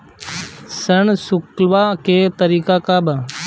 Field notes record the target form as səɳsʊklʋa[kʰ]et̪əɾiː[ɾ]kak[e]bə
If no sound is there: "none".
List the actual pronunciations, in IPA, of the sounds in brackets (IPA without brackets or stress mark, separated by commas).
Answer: k, none, a